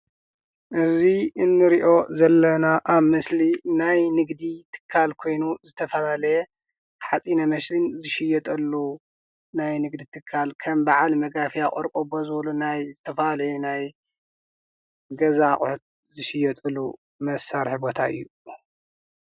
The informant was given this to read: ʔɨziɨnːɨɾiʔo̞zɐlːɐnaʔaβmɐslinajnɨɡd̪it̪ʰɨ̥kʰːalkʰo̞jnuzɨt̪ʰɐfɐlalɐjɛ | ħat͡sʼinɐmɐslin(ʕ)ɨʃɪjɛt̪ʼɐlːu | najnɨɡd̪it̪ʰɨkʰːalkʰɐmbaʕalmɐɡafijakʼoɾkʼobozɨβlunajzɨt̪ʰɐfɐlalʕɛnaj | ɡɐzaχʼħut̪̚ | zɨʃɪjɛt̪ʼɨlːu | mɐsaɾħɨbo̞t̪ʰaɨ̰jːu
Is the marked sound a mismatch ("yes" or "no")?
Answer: yes